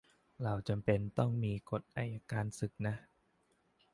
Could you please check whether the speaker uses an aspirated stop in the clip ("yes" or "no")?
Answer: no